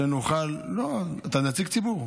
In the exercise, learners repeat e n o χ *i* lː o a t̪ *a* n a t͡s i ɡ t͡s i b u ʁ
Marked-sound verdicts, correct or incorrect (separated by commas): incorrect, correct